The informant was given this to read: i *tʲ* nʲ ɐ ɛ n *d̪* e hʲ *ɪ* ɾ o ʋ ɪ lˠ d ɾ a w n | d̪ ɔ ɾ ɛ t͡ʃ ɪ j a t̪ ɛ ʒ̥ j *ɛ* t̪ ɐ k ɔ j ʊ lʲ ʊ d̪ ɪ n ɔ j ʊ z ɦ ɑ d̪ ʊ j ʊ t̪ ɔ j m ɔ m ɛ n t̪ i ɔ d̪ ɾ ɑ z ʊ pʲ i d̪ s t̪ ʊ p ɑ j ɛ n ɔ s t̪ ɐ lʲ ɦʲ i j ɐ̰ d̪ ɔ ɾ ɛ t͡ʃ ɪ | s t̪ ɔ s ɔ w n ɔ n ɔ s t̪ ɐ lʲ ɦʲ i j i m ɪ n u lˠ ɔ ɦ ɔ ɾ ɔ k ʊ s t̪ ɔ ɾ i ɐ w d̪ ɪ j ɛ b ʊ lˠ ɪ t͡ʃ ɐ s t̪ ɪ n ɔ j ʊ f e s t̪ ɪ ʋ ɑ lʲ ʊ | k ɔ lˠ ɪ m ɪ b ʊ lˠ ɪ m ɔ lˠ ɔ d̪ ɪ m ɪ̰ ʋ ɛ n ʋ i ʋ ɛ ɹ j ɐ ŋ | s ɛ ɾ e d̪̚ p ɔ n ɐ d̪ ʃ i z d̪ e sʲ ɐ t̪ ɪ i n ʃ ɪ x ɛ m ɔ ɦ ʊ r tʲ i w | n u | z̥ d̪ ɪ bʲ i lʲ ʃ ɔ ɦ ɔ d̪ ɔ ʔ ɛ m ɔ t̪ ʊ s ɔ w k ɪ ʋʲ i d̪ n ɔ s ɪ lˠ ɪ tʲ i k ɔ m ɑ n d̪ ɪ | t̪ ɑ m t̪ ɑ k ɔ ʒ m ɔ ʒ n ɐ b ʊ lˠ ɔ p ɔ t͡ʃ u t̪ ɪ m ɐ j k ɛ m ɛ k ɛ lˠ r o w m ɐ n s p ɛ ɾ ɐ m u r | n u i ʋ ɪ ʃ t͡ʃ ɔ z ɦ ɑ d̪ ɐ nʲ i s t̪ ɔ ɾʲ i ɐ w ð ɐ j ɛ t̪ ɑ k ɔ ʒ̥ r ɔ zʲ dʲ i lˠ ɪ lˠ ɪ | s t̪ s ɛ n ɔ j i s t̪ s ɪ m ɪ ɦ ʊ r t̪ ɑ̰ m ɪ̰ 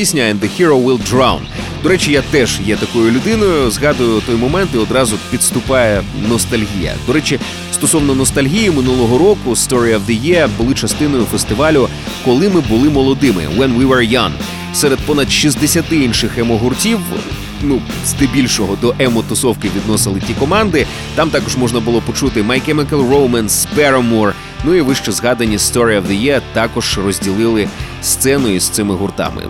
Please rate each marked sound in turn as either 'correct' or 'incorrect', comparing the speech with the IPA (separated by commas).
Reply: incorrect, correct, incorrect, correct